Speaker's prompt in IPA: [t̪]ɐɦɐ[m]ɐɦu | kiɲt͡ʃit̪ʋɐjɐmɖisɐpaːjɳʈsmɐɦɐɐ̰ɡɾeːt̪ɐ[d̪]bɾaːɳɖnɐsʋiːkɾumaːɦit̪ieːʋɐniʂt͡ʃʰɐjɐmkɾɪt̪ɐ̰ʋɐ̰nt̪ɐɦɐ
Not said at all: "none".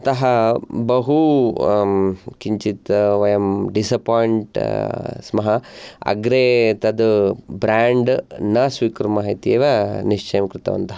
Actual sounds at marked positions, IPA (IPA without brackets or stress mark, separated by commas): t̪, b, d̪